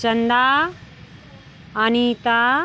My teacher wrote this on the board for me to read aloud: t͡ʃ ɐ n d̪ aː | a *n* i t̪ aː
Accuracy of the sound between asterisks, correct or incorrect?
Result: correct